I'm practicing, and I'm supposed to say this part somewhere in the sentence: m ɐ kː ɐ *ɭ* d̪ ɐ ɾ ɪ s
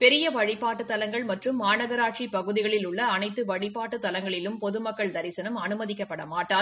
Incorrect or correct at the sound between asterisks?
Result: correct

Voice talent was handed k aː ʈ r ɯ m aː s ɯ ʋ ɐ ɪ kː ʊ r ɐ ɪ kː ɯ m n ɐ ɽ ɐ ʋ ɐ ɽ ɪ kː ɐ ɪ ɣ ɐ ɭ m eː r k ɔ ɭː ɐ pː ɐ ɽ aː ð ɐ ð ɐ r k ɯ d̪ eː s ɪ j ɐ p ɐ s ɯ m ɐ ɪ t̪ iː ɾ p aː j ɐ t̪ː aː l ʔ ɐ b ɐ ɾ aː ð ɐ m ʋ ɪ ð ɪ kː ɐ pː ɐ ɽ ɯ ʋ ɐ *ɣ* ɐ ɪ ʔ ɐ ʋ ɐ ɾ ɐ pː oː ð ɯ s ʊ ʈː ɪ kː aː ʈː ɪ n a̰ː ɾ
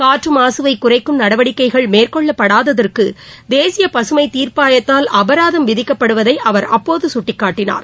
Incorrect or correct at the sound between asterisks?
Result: incorrect: ð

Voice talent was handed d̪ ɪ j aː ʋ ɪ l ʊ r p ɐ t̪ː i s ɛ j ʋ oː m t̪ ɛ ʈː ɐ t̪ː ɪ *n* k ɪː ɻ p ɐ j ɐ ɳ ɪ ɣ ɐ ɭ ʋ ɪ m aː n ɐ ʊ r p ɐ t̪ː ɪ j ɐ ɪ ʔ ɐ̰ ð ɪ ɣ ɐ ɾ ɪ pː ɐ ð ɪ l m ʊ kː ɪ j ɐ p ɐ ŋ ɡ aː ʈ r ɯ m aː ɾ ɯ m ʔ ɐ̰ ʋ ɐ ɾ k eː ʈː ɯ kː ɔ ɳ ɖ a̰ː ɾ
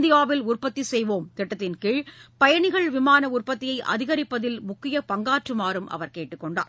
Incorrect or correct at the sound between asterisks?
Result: correct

